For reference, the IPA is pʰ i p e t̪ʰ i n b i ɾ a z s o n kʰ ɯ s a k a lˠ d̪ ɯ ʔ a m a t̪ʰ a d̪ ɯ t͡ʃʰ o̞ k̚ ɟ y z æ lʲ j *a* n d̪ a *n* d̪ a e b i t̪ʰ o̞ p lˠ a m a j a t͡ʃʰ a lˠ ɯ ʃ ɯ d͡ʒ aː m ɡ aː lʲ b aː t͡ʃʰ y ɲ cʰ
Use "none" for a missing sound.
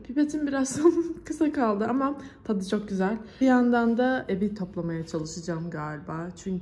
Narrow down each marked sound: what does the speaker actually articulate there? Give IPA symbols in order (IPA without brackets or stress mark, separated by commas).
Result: a, n